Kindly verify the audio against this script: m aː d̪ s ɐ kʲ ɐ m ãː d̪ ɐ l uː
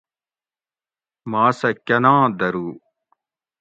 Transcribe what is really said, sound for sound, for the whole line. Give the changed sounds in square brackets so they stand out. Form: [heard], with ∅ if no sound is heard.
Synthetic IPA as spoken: m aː [∅] s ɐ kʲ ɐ [n] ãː d̪ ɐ [ɾ] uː